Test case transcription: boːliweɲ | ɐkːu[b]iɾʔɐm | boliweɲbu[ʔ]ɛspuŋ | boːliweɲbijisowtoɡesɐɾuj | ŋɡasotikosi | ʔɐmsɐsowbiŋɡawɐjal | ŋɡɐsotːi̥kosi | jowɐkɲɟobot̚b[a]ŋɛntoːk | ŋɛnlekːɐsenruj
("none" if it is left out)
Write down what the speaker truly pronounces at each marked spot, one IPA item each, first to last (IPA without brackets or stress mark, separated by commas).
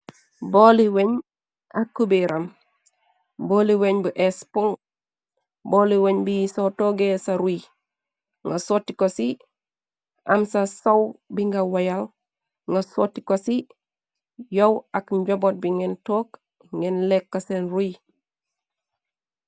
b, ʔ, i